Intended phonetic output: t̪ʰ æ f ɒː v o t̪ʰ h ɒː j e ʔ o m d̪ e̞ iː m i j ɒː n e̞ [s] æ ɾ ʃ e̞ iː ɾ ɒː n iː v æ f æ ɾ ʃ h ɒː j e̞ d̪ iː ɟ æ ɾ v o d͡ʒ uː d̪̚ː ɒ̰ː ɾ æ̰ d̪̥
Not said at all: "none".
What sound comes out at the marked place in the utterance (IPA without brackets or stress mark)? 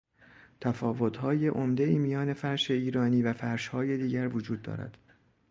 f